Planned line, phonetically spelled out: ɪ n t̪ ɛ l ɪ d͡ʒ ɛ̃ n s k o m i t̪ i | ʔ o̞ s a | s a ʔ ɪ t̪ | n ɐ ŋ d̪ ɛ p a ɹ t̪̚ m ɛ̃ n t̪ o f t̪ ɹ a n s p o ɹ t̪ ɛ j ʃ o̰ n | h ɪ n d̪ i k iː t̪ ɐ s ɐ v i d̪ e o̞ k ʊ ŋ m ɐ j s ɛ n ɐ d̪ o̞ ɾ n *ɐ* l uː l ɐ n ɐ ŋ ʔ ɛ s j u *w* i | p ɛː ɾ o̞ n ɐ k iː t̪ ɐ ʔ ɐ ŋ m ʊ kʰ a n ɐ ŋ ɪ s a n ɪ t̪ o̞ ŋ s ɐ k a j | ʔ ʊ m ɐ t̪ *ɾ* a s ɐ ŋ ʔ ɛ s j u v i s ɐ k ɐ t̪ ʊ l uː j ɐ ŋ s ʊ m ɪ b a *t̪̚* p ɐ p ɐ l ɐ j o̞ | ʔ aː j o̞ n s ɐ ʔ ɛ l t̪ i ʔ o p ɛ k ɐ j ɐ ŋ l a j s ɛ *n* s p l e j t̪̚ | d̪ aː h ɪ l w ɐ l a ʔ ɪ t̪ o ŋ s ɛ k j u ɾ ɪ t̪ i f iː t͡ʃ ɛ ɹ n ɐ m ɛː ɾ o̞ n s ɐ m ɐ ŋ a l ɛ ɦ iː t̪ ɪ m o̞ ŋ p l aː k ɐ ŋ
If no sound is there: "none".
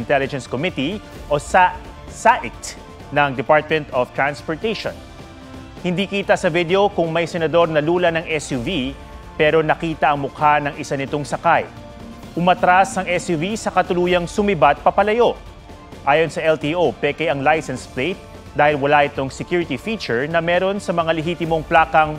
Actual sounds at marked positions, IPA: ɐ, v, ɾ, t̪̚, n

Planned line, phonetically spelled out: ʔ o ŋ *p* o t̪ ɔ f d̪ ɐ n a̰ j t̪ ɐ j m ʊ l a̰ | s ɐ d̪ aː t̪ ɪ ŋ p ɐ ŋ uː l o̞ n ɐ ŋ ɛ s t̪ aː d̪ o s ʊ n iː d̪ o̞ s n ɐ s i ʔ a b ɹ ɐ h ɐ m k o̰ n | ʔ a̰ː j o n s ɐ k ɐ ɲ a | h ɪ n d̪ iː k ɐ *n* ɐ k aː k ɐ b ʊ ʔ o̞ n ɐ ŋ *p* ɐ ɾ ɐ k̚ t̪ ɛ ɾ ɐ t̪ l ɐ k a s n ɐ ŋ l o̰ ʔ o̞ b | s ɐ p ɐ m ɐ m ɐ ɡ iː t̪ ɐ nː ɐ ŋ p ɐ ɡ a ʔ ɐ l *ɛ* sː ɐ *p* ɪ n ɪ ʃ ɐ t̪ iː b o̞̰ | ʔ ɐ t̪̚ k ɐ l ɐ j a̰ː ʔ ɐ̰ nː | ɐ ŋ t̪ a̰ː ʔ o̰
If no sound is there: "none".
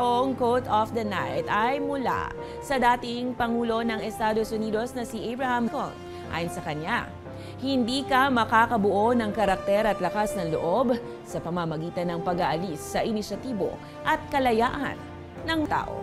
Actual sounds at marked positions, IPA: k, m, k, i, ʔ

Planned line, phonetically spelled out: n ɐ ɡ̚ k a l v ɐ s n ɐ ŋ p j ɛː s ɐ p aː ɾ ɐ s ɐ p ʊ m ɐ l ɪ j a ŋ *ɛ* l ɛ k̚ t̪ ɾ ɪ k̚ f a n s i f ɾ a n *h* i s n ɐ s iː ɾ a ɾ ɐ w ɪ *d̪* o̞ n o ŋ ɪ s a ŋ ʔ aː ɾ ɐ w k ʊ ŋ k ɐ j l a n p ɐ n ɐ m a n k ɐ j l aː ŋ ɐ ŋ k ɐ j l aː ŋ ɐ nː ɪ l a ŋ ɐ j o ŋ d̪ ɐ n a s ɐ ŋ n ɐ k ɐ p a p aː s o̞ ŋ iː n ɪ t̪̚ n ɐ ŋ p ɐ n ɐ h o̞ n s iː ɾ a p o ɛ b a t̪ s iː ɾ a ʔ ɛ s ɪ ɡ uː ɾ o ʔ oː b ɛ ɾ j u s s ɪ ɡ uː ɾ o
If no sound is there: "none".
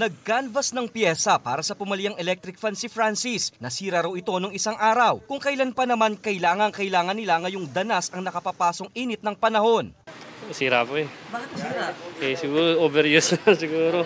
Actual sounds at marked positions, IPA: ɛ, s, t̪

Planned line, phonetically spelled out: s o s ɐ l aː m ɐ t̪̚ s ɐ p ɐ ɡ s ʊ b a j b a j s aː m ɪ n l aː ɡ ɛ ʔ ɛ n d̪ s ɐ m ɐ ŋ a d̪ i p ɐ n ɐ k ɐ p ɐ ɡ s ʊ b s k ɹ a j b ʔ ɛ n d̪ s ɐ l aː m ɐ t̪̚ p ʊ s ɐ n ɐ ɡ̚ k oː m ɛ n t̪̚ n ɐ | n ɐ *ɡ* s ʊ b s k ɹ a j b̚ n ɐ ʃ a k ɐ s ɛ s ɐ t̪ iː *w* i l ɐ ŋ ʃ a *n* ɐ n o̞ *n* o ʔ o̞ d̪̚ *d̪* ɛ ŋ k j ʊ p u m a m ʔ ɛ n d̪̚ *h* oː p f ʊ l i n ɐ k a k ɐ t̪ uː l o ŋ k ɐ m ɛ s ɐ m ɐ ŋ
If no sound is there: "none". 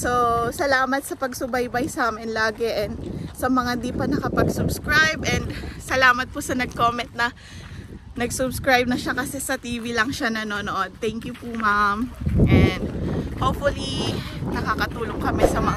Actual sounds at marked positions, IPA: ɡ, v, n, n, t̪, h

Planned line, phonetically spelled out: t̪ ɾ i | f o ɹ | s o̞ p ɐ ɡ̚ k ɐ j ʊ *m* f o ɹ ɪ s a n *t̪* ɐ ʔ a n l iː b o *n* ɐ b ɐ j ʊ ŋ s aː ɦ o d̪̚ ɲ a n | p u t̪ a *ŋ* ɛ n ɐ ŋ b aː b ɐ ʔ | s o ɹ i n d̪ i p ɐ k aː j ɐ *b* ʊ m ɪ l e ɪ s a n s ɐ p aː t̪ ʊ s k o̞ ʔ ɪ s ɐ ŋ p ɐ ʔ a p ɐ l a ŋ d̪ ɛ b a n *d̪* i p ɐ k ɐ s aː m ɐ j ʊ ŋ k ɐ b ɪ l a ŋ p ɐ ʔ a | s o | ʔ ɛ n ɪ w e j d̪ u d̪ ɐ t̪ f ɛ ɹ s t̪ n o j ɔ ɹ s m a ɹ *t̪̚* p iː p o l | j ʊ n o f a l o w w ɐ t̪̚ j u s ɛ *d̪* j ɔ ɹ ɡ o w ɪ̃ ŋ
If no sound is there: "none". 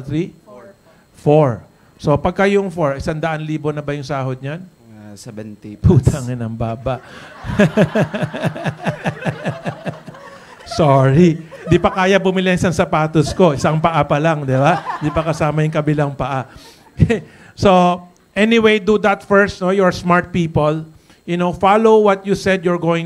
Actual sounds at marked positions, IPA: ŋ, d̪, n, ŋ, b, d̪, t̪̚, d̪

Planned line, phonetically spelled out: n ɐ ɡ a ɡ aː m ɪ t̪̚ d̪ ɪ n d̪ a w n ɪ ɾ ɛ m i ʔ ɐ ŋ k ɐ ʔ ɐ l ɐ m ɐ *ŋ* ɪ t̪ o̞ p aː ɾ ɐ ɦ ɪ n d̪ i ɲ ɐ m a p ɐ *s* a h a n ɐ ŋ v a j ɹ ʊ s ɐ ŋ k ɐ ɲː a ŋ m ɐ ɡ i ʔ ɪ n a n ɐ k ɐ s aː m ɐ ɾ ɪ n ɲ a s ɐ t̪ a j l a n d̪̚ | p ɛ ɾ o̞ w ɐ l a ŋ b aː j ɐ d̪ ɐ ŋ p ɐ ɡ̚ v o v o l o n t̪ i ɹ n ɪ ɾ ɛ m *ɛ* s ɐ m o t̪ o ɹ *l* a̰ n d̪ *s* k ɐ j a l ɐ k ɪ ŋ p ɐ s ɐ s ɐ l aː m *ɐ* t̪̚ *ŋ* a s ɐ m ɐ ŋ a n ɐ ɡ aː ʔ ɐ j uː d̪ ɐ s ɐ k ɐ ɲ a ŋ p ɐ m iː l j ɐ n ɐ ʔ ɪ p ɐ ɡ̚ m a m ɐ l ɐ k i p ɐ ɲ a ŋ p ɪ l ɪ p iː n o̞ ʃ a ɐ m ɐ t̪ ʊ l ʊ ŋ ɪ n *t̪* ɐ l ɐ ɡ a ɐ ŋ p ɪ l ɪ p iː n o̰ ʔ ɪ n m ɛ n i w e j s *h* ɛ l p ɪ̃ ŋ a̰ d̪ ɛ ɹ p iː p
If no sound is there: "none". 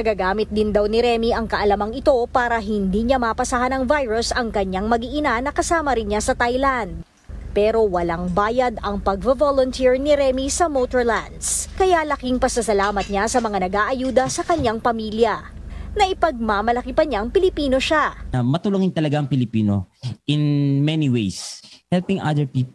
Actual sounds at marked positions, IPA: ŋ, s, i, l, s, ɐ, ɲ, t̪, h

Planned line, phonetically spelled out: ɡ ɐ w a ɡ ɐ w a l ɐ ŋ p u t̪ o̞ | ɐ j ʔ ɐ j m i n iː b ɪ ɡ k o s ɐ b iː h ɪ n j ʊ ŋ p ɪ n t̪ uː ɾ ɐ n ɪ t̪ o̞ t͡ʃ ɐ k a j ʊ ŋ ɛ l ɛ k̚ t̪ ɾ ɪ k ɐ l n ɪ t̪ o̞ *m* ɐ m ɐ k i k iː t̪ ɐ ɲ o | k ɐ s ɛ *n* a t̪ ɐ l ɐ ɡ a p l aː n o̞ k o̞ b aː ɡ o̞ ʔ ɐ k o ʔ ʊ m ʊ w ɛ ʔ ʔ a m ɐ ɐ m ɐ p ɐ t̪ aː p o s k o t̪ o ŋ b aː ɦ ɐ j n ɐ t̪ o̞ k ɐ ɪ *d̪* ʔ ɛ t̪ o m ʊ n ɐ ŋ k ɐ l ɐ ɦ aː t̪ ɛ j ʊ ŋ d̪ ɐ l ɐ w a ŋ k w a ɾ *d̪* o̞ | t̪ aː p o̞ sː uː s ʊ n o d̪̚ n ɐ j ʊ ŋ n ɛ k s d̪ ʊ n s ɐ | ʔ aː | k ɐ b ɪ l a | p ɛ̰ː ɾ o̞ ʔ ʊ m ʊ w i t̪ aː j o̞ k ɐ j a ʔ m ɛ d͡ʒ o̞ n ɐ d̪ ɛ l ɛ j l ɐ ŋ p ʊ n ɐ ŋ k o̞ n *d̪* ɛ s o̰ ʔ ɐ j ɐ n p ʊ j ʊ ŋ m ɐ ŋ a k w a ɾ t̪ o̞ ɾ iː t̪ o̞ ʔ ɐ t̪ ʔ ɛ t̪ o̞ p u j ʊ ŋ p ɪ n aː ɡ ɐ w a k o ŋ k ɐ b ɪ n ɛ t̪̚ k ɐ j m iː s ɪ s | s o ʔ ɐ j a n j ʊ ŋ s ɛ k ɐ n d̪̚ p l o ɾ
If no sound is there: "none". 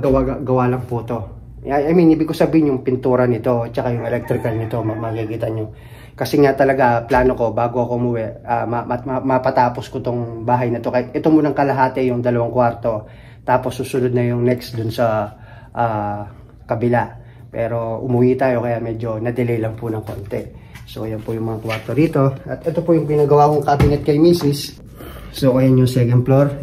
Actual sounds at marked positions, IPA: m, ŋ, t̪, t̪, t̪

